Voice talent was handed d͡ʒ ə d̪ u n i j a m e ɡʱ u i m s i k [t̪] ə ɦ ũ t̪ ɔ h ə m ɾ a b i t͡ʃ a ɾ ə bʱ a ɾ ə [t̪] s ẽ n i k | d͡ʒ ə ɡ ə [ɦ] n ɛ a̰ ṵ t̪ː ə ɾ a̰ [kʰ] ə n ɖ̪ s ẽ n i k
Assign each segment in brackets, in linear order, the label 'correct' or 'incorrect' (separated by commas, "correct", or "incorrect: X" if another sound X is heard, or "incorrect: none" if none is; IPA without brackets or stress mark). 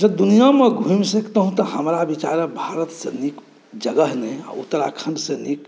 correct, correct, correct, correct